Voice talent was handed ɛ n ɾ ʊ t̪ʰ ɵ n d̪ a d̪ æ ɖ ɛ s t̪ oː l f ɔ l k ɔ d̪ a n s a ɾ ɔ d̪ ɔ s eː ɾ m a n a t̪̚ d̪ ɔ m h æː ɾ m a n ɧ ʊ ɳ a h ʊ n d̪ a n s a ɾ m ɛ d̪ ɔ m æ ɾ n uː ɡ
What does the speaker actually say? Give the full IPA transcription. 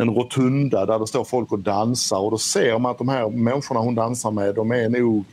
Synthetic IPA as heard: ɛ n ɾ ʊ t̪ʰ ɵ n d̪ a d̪ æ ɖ ɛ s t̪ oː ɾ f ɔ l k ɔ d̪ a n s a ɾ ɔ d̪ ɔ s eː ɾ m a n a t̪̚ d̪ ɔ m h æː ɾ m ɛ n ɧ ʊ ɳ a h ʊ n d̪ a n s a ɾ m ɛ d̪ ɔ m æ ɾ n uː ɡ